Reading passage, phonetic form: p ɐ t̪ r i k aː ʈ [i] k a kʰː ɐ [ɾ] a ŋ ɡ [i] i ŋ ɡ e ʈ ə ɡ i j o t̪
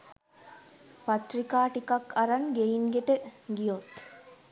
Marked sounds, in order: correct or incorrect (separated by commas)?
correct, correct, incorrect